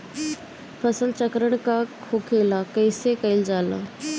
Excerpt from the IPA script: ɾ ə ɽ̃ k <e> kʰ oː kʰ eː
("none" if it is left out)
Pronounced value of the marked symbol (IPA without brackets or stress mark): a